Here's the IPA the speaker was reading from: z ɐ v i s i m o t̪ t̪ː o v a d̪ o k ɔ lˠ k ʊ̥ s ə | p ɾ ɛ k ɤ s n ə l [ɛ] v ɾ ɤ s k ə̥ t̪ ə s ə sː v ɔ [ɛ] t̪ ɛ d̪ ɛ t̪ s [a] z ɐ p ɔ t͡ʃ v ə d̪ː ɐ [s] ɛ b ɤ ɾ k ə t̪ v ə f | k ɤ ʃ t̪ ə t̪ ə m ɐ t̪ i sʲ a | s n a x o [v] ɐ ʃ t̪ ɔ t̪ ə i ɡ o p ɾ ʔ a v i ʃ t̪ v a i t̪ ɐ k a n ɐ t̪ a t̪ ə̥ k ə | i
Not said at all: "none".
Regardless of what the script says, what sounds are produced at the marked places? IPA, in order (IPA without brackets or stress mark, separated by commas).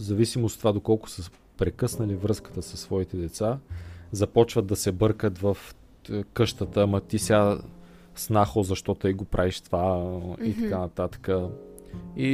i, i, a, s, z